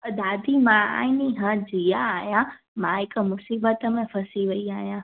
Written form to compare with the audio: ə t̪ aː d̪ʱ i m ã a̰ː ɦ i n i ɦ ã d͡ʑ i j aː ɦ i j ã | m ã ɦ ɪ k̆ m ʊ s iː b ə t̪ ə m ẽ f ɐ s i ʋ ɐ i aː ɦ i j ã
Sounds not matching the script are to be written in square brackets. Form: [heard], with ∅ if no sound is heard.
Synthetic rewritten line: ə [d̪] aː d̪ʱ i m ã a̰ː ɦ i n i ɦ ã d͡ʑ i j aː ɦ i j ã | m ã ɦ ɪ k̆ m ʊ s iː b ə t̪ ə m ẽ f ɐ s i ʋ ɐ i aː ɦ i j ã